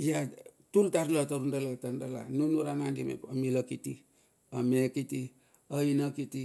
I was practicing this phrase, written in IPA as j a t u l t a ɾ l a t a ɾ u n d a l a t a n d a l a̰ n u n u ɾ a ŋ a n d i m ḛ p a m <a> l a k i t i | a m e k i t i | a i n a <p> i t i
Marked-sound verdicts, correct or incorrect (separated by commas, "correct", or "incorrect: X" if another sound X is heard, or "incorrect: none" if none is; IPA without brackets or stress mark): incorrect: i, incorrect: k